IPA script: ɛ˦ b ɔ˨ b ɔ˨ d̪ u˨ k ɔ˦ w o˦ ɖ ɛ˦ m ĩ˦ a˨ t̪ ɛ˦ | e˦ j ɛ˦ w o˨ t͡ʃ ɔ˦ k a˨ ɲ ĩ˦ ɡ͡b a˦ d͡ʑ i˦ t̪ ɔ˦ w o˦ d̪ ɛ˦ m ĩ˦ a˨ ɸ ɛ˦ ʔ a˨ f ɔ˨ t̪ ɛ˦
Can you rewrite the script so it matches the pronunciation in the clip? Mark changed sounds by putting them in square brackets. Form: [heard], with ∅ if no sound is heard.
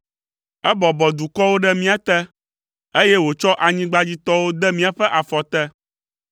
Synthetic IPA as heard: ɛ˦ b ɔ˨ b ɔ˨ d̪ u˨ k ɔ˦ w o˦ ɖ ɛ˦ m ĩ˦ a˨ t̪ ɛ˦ | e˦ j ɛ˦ w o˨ t͡ʃ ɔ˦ [ʔ] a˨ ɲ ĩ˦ ɡ͡b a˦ d͡ʑ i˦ t̪ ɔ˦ w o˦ d̪ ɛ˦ m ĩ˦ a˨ ɸ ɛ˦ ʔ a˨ f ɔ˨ t̪ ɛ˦